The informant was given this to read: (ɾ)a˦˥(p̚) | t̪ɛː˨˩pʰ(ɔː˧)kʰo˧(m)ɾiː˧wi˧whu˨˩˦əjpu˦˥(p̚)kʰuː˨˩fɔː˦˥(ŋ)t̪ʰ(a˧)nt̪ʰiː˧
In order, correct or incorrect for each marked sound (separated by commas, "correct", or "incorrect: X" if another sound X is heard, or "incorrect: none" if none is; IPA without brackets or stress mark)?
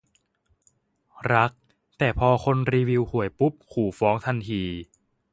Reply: correct, incorrect: k̚, correct, incorrect: n, correct, correct, correct